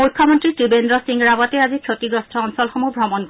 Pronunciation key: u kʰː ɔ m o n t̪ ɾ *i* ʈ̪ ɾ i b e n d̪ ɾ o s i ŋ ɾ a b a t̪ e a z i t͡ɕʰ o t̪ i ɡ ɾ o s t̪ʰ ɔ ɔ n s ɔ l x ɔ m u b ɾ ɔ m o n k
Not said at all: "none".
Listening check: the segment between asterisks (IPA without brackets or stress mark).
i